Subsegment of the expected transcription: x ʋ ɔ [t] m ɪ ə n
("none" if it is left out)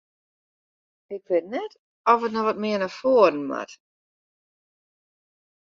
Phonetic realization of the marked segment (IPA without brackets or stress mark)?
t